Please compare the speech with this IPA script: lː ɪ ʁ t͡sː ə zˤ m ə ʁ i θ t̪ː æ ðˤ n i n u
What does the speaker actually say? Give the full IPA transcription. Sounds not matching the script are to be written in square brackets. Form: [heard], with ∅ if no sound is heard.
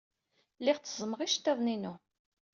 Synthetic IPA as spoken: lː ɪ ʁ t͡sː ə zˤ m ə ʁ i [ʃ] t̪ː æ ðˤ n i n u